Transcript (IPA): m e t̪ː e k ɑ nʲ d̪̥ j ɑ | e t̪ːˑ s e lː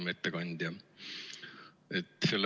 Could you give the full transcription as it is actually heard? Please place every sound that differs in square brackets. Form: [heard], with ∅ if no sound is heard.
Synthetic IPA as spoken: m e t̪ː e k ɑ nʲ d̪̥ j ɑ | e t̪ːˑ s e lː